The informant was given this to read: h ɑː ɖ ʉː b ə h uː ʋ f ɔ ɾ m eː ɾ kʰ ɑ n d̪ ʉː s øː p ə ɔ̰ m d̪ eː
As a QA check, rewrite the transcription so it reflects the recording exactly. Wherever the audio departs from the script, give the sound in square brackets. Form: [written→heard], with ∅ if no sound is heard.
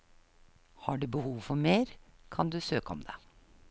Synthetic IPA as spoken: h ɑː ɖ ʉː b ə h uː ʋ f ɔ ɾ m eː ɾ kʰ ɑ n d̪ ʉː s øː [p→k] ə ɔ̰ m d̪ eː